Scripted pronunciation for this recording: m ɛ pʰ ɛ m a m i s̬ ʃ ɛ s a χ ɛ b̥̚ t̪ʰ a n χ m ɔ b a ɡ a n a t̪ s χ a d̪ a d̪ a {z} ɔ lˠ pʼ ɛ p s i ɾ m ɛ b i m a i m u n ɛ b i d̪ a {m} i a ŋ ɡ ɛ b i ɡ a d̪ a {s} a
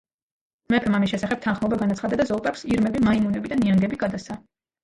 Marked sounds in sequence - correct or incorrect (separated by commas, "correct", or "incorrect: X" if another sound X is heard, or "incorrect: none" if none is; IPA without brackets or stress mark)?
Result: correct, incorrect: n, correct